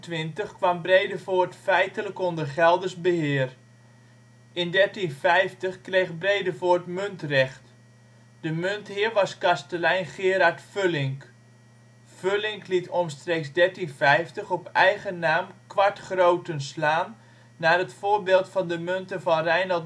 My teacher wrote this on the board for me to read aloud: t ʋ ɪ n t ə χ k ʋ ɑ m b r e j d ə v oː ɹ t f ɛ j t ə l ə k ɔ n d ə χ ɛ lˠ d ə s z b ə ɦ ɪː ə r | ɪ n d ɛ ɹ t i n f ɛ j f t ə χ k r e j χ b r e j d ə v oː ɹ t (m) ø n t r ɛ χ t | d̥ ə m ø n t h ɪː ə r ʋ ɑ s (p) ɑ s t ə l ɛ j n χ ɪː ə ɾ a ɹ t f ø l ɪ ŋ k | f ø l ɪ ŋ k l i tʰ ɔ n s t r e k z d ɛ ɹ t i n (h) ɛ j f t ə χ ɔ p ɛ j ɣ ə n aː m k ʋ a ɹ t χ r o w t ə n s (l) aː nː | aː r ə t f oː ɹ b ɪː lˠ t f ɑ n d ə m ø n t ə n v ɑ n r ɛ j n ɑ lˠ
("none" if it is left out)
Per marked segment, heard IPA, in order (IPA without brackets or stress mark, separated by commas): m, k, f, l